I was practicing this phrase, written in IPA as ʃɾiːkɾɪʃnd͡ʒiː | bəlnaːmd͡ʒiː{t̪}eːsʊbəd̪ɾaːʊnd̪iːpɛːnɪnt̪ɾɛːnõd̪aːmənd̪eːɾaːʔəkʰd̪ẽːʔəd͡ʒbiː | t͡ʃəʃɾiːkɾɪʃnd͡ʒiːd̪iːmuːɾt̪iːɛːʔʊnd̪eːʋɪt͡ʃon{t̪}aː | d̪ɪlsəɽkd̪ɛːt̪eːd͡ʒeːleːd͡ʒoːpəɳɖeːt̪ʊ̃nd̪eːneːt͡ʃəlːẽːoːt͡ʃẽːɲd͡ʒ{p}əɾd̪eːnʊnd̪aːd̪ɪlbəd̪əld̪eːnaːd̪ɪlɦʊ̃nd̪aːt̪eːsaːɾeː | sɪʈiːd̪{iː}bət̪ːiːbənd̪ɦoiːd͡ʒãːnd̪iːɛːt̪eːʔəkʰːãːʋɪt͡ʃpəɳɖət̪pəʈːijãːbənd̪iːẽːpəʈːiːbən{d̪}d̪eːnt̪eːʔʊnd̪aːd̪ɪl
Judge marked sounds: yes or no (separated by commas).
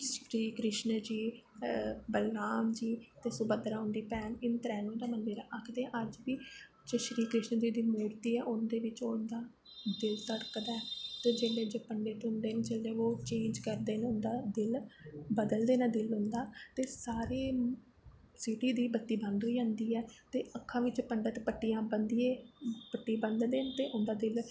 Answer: yes, no, no, yes, yes